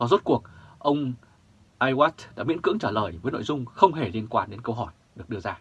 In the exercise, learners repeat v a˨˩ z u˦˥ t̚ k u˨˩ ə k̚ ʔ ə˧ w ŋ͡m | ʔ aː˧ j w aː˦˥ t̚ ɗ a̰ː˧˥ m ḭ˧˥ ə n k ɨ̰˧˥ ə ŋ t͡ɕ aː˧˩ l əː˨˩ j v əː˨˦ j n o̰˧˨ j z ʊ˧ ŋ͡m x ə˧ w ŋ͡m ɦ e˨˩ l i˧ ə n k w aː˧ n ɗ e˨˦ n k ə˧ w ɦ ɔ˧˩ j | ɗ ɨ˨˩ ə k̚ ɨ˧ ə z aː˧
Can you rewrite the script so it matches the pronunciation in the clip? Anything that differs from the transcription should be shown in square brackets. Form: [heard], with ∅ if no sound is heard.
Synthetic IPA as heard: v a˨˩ z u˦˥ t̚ k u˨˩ ə k̚ ʔ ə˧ w ŋ͡m | ʔ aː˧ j w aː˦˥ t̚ ɗ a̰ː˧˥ m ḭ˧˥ ə n k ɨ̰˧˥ ə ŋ t͡ɕ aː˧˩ l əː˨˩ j v əː˨˦ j n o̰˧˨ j z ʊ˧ ŋ͡m x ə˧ w ŋ͡m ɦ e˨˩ l i˧ ə n k w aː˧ n ɗ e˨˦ n k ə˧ w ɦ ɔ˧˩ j | ɗ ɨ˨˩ ə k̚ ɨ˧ ə z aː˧